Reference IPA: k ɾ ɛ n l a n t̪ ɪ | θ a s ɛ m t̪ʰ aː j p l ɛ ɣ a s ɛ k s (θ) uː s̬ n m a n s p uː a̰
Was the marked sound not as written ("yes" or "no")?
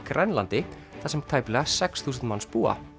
no